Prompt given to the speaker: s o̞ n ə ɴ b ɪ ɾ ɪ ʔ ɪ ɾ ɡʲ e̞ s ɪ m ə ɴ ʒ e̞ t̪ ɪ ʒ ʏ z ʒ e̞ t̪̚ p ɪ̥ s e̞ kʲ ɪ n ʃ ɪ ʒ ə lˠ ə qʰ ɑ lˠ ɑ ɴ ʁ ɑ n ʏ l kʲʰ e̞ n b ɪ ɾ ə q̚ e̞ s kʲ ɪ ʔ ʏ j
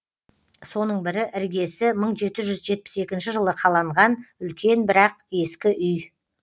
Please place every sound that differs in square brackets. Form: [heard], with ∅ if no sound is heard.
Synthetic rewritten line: s o̞ n ə ɴ b ɪ ɾ ɪ ʔ ɪ ɾ ɡʲ e̞ s ɪ m ə ɴ ʒ e̞ t̪ ɪ ʒ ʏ z ʒ e̞ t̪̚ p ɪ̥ s e̞ kʲ ɪ n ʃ ɪ ʒ ə lˠ ə qʰ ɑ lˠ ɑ ɴ ʁ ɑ n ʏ l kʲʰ e̞ n b ɪ ɾ [ɑ] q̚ e̞ s kʲ ɪ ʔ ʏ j